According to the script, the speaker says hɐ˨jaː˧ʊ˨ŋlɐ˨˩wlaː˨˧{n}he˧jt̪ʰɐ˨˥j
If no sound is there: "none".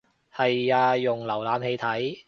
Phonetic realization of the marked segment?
m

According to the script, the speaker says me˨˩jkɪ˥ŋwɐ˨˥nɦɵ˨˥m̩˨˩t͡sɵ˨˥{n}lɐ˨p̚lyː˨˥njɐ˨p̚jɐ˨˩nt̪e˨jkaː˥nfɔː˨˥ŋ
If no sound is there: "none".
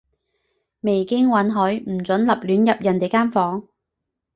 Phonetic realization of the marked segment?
n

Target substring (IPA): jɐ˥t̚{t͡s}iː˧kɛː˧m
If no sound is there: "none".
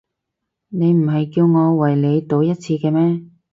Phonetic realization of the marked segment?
t͡sʰ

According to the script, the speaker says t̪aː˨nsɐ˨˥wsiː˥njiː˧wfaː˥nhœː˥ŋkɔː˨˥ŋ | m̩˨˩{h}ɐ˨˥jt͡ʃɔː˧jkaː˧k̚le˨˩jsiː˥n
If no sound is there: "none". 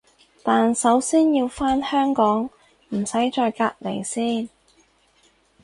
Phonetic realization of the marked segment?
s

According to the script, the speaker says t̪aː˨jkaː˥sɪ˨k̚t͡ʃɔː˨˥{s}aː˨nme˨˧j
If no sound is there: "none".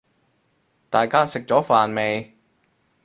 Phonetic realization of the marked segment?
f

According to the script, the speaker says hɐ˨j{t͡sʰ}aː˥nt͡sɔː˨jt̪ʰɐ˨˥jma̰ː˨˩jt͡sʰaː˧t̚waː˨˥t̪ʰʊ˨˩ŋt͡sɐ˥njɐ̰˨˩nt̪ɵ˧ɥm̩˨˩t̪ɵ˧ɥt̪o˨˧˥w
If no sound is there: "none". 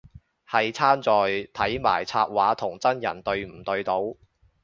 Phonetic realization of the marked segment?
t͡sʰ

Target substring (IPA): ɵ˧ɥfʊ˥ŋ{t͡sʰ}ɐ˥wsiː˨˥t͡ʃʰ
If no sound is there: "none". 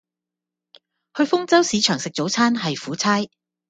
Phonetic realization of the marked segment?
t͡s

